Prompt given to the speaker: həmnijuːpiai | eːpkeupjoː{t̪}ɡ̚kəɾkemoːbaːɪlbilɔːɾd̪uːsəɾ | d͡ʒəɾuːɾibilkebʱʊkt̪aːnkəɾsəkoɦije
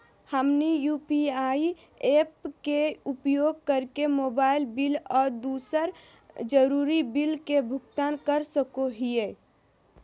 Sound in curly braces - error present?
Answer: yes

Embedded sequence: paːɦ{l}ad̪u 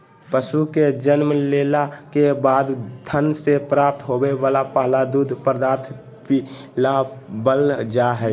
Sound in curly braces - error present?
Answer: no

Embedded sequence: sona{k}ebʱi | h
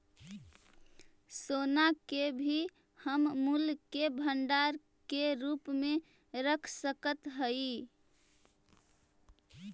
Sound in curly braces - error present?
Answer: no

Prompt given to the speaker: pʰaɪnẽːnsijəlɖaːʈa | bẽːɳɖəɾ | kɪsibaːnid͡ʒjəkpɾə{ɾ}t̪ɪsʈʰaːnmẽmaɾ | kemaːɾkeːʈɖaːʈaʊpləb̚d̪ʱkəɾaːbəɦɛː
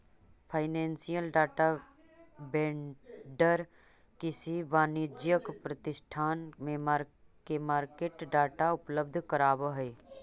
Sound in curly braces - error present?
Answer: yes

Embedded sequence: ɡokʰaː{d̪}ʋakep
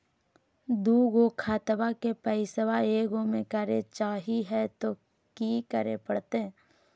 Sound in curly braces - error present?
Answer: yes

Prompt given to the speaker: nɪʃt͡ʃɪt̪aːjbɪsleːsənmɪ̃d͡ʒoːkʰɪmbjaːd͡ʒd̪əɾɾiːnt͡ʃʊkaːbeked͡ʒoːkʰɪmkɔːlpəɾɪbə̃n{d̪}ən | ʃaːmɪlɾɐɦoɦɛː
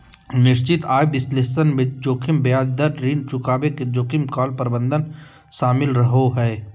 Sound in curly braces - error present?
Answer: no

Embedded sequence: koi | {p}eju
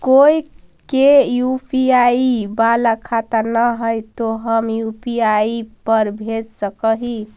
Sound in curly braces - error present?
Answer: yes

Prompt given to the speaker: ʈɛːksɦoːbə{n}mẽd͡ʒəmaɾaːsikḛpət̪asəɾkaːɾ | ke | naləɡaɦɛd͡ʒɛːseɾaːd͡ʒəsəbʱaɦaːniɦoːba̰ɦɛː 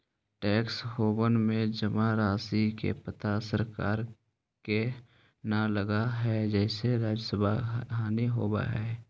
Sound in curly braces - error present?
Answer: no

